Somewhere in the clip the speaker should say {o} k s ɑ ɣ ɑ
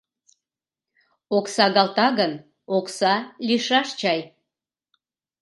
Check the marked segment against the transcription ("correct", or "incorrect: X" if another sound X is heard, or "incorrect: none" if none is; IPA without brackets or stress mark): correct